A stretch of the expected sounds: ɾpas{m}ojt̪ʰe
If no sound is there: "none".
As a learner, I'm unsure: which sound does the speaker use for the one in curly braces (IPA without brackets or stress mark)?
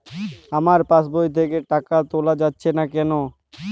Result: b